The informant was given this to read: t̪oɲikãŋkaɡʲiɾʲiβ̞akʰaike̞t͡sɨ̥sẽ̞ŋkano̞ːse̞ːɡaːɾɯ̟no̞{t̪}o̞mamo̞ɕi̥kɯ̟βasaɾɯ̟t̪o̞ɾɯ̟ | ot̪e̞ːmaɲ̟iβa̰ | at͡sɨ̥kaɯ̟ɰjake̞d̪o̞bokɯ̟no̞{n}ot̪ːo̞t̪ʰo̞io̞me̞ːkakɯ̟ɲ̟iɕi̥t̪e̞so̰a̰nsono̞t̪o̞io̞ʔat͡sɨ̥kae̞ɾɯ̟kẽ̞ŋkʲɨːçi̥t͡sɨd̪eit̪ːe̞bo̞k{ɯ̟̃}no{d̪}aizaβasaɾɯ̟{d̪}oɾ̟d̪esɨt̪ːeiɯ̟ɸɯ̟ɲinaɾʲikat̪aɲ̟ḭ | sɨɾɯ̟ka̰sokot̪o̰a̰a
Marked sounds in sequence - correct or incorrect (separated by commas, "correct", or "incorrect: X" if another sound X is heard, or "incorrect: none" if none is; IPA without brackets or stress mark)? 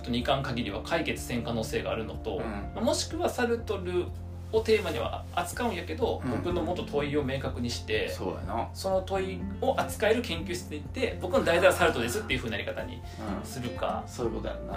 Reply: correct, incorrect: m, incorrect: ɯ̟, correct, incorrect: t̪